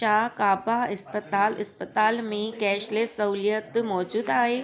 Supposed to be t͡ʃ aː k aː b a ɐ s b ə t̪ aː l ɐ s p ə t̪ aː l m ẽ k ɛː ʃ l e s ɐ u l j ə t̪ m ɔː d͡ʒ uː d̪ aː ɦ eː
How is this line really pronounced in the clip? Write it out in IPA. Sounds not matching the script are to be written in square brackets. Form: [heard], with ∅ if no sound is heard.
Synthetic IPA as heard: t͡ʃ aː k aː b a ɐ s [p] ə t̪ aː l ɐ s p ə t̪ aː l m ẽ k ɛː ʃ l e s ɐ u l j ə t̪ m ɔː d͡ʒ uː d̪ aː ɦ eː